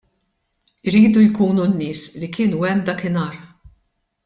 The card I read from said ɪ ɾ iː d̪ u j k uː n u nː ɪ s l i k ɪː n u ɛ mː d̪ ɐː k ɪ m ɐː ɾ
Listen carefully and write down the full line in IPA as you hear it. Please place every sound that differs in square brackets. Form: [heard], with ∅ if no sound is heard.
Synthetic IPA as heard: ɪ ɾ iː d̪ u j k uː n u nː [ɪː] s l i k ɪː n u ɛ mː d̪ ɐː k ɪ [n] ɐː ɾ